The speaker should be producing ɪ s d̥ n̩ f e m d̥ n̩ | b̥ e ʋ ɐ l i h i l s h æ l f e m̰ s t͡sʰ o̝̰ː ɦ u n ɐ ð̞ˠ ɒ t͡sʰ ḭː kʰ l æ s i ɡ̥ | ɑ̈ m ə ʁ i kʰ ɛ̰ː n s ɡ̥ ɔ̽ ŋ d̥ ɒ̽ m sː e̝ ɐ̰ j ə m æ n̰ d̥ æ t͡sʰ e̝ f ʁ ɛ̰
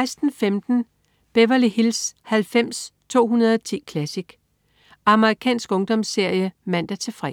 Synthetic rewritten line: ɪ s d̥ n̩ f e m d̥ n̩ | b̥ e ʋ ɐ l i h i l s h æ l f e m̰ s t͡sʰ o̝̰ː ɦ u n ɐ ð̞ˠ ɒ t͡sʰ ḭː kʰ l æ s i ɡ̥ | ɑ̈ m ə ʁ i kʰ ɛ̰ː n s ɡ̥ ɔ̽ ŋ d̥ ɒ̽ m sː e̝ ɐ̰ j ə m æ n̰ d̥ æ t͡sʰ e̝ f ʁ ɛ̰